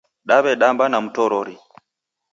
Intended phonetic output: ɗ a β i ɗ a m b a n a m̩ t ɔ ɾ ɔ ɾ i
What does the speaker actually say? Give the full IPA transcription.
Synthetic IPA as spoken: ɗ a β ɛ ɗ a m b a n a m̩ t ɔ ɾ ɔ ɾ i